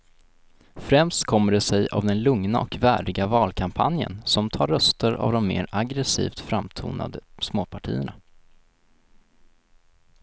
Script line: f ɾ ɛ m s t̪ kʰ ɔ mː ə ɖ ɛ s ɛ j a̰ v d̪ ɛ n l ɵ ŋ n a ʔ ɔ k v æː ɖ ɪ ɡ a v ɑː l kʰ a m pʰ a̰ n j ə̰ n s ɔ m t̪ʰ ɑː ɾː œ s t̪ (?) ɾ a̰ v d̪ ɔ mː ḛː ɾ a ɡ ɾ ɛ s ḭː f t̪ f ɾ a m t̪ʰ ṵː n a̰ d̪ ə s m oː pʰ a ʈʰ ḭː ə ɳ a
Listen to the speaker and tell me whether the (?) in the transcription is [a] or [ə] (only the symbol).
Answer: ə